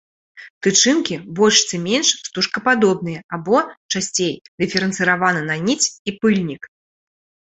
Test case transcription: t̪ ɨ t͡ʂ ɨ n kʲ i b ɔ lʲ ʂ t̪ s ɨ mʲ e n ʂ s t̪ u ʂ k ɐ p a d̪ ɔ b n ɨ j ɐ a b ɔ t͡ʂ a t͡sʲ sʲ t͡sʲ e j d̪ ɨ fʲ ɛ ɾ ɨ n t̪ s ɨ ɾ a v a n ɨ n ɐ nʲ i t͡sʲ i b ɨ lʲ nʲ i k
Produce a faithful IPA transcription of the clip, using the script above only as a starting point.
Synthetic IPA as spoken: t̪ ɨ t͡ʂ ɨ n kʲ i b ɔ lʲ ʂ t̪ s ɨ mʲ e n ʂ s t̪ u ʂ k ɐ p a d̪ ɔ b n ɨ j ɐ a b ɔ t͡ʂ a sʲ t͡sʲ e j d̪ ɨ fʲ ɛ ɾ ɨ n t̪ s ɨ ɾ a v a n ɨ n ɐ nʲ i t͡sʲ i p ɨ lʲ nʲ i k